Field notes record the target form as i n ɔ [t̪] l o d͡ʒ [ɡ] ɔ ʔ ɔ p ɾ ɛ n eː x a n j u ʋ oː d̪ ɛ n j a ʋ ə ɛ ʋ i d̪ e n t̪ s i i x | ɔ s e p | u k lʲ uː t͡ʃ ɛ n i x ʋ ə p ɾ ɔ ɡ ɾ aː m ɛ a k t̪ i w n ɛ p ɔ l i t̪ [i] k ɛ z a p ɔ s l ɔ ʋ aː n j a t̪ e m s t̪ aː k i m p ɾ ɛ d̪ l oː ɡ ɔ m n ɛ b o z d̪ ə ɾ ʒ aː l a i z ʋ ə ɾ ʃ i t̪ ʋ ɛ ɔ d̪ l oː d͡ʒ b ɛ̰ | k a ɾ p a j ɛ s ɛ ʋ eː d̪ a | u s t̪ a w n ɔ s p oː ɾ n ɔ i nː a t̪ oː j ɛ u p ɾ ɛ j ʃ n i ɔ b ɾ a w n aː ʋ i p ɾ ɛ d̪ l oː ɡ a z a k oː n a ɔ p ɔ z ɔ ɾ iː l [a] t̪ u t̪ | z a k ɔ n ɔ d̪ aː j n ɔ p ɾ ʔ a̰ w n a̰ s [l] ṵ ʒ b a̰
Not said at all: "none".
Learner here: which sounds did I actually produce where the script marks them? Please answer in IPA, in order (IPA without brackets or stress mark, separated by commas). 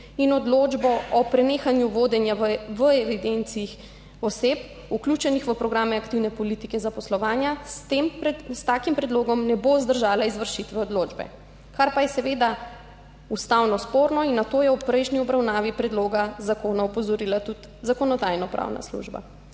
d̪, b, i, a, l